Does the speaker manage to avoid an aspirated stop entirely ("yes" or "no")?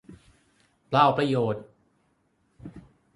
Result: yes